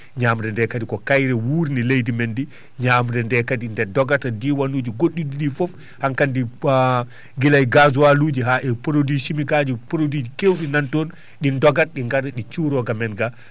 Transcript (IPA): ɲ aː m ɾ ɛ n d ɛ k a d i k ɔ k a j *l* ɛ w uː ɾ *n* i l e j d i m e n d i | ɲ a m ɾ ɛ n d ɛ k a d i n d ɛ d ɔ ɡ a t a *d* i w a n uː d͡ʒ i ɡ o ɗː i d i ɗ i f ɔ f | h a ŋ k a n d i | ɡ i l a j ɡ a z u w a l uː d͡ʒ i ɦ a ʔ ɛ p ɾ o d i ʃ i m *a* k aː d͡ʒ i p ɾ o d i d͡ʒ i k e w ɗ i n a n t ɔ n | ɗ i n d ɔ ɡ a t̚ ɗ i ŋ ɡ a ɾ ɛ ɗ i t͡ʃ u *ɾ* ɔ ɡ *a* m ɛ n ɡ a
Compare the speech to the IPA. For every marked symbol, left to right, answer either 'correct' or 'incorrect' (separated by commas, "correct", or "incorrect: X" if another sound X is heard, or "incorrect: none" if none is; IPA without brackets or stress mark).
incorrect: ɾ, correct, correct, incorrect: i, correct, correct